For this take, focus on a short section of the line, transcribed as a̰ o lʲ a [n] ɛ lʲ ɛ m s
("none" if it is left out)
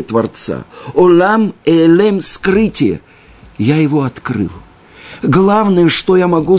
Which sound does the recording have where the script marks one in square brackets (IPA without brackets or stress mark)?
m